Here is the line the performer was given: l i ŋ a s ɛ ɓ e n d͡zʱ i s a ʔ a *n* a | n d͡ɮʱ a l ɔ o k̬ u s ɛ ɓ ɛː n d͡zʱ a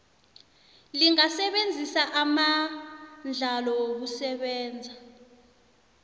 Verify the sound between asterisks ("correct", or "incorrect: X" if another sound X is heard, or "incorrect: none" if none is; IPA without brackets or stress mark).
incorrect: m